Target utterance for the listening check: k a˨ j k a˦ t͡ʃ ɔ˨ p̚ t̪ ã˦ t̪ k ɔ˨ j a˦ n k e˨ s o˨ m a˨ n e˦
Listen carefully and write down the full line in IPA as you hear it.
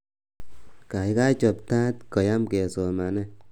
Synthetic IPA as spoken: k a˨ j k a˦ t͡ʃ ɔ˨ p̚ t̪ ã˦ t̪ k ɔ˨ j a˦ m k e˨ s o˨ m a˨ n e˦